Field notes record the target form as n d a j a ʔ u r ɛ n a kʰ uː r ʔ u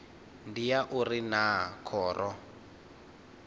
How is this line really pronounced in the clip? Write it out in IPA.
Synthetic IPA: n d i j a ʔ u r i n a kʰ ɔː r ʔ ɔ

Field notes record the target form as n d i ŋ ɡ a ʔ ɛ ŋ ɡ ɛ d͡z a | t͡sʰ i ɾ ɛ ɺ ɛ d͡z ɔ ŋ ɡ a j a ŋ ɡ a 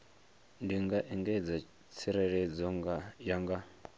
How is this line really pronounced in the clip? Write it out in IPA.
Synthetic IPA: n d i ŋ ɡ a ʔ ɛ ŋ ɡ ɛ d͡z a | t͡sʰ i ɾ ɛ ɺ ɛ d͡z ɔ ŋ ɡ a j a ŋ ɡ a

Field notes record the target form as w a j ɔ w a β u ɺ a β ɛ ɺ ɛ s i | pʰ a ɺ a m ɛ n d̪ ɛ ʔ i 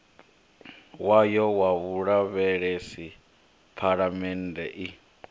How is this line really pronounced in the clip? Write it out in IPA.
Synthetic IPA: w a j ɔ w a β u ɺ a β ɛ ɺ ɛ s i | pʰ a ɺ a m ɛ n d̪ ɛ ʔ i

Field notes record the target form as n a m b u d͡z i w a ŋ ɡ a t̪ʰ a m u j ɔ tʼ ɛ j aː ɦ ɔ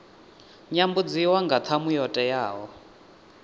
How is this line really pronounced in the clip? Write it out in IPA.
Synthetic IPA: ɲ a m b u d͡z i w a ŋ ɡ a t̪ʰ a m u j ɔ tʼ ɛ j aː ɦ ɔ

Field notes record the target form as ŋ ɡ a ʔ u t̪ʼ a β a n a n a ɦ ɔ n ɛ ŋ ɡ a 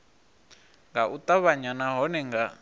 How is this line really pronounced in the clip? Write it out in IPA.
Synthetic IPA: ŋ ɡ a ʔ u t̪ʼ a β a ɲ a n a ɦ ɔ n ɛ ŋ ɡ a

